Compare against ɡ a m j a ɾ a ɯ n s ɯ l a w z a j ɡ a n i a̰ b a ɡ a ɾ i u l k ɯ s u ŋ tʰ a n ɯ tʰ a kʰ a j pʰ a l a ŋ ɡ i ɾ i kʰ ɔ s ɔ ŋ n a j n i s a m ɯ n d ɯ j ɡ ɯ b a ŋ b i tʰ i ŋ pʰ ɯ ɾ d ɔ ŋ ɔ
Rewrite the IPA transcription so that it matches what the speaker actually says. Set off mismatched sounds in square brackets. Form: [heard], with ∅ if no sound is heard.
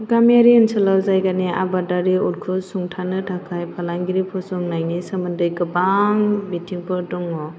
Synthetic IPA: ɡ a m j a ɾ [i] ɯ n s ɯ l a w z a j ɡ a n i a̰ b a [d] a ɾ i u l [kʰ] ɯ s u ŋ tʰ a n ɯ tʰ a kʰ a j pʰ a l a ŋ ɡ i ɾ i [pʰ] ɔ s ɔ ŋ n a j n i s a m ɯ n d ɯ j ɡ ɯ b a ŋ b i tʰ i ŋ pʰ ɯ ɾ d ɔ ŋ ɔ